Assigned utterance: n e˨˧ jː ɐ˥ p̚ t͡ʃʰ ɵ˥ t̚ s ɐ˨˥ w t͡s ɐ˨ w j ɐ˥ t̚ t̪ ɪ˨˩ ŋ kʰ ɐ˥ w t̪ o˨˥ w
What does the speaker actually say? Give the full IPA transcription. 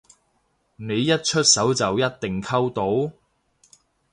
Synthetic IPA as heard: n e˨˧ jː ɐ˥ t̚ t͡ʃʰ ɵ˥ t̚ s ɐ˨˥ w t͡s ɐ˨ w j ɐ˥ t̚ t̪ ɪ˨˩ ŋ kʰ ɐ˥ w t̪ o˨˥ w

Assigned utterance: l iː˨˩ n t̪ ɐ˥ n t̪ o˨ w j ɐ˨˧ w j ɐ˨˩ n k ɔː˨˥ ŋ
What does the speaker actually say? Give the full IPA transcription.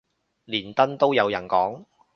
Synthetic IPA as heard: l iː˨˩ n t̪ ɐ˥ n t̪ o˥ w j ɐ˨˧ w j ɐ˨˩ n k ɔː˨˥ ŋ

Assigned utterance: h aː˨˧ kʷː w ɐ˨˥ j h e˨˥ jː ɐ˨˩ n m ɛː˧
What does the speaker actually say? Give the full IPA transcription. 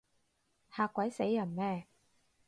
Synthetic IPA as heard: h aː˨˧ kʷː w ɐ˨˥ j s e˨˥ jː ɐ˨˩ n m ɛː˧

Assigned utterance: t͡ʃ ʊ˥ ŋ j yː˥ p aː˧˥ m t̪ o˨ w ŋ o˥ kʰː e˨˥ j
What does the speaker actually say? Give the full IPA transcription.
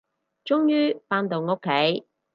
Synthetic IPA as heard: t͡ʃ ʊ˥ ŋ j yː˥ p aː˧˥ n t̪ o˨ w ŋ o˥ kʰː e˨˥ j

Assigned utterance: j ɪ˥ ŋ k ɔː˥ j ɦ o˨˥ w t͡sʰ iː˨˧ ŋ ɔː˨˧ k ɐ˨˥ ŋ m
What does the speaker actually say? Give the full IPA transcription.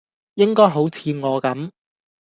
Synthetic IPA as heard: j ɪ˥ ŋ k ɔː˥ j ɦ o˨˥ w t͡sʰ iː˨˧ ŋ ɔː˨˧ k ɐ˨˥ m

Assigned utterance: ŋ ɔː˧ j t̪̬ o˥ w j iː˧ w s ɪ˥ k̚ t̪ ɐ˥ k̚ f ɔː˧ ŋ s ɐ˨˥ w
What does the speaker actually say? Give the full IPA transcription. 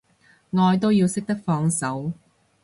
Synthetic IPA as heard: ŋ ɔː˧ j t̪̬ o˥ w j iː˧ w s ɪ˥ k̚ t̪ ɐ˥ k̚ f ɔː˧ ŋ s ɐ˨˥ w

